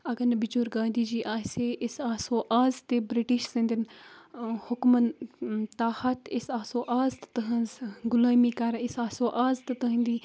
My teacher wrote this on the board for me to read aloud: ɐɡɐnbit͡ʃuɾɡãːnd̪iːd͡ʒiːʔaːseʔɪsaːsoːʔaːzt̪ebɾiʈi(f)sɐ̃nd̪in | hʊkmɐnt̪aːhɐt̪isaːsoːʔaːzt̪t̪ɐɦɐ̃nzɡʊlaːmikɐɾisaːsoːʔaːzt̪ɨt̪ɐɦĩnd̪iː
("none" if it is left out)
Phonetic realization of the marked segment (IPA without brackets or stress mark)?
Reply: ʃ